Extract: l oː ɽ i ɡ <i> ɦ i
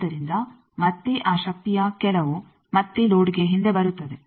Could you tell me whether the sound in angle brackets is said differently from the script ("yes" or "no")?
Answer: yes